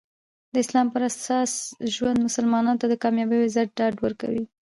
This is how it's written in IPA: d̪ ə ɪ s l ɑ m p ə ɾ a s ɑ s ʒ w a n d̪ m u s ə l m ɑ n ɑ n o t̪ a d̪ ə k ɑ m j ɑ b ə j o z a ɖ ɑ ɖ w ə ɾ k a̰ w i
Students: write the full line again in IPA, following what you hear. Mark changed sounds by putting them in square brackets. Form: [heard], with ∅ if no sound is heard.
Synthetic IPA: d̪ ə ɪ s l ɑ m p ə ɾ a s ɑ s ʒ w a n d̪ m [ʊ] s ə l m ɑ n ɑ n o t̪ a d̪ ə k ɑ m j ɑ b ə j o z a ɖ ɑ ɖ w ə ɾ k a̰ w i